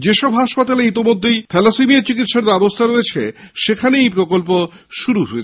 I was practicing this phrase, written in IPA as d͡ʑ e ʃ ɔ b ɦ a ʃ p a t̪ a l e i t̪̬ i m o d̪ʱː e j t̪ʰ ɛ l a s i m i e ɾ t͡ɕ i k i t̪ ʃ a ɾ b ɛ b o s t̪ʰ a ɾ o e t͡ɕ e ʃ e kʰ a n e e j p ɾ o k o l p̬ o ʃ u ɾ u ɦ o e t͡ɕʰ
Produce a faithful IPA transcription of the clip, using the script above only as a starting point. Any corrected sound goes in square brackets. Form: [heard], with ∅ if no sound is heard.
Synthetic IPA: d͡ʑ e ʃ ɔ b ɦ a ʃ p a t̪ a l e i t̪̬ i m o d̪ʱː e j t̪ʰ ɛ l a s i m i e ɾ t͡ɕ i k i t̪ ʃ a ɾ b ɛ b o s t̪ʰ a ɾ o e [t͡ɕʰ] e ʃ e kʰ a n e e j p ɾ o k o l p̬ o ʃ u ɾ u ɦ o e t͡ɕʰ